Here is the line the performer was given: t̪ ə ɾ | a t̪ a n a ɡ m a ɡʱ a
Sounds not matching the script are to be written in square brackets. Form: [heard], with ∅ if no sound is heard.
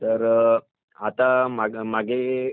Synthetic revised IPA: t̪ ə ɾ | a t̪ a [m] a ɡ m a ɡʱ [e]